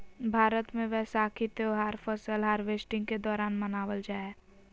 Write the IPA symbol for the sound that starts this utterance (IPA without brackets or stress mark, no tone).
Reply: bʱ